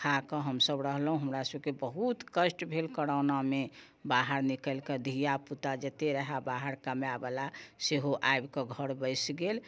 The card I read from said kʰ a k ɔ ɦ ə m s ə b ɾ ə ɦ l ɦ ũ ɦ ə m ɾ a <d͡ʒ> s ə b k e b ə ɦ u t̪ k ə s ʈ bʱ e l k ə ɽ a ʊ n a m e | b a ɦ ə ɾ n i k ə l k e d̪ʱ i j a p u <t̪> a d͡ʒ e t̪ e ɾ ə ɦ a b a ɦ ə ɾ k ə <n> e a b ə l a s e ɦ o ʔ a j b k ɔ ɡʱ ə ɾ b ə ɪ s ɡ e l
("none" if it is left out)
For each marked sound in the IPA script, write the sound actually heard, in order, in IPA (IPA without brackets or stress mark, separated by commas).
none, t̪, m